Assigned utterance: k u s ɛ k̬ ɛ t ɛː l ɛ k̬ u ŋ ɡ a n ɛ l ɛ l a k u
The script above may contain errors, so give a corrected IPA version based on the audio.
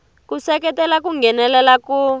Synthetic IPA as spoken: k u s ɛ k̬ ɛ t ɛ l a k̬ u ŋ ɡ ɛ n ɛ l ɛ l a k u

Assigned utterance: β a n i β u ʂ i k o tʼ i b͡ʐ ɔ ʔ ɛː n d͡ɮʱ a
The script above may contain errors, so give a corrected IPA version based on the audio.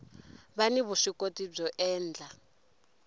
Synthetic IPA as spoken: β a n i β u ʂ i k o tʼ i b͡ʐ ɔ ʔ ɛː n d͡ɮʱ a

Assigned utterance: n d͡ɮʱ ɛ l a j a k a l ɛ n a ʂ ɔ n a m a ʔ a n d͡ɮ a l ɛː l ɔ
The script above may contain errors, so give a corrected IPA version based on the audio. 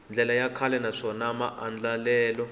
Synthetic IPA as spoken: n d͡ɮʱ ɛ l a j a kʰ a l ɛ n a ʂ ɔ n a m a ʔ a n d͡ɮ a l ɛː l ɔ

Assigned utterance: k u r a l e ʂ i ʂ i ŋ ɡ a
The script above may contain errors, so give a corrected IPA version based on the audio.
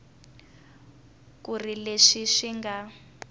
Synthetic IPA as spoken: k u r i l e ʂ i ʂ i ŋ ɡ a

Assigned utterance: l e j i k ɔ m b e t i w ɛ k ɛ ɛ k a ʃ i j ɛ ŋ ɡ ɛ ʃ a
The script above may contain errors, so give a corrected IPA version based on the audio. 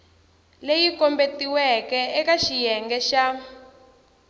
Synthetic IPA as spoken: l e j i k ɔ m b e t i w ɛ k ɛ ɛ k a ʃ i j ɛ ŋ ɡ ɛ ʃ a

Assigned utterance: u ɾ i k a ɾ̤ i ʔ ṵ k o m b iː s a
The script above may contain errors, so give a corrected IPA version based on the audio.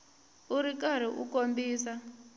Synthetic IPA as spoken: u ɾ i k a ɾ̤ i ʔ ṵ k o m b iː s a

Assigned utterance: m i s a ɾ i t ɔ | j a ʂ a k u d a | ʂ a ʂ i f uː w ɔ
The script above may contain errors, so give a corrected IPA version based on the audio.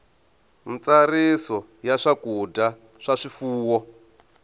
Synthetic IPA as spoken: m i t͡s a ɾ i s ɔ | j a ʂ a k u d a | ʂ a ʂ i f uː w ɔ

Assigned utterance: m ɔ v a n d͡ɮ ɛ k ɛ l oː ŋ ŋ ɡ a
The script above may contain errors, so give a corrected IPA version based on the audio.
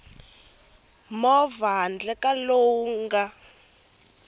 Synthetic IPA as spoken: m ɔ v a n d͡ɮ ɛ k a l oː ŋ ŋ ɡ a

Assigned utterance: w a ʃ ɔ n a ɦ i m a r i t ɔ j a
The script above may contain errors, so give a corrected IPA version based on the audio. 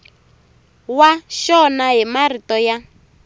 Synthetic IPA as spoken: w a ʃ ɔ n a ɦ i m a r i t ɔ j a

